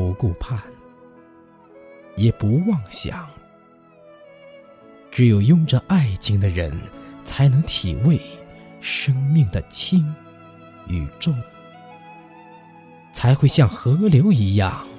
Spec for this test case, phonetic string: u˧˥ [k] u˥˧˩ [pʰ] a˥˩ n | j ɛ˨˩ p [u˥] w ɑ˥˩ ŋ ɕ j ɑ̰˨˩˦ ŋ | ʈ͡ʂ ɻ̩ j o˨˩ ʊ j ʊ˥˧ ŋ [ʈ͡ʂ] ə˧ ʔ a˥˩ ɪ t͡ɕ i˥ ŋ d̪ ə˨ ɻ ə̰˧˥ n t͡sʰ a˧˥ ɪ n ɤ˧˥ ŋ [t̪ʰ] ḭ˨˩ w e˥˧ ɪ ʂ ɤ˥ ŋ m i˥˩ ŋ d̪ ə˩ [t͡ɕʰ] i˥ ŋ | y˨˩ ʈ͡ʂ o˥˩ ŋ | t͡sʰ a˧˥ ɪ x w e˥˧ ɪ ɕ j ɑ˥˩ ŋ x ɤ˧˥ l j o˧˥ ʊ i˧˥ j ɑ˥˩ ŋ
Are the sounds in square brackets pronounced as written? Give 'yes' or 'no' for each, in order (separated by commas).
yes, yes, no, yes, yes, yes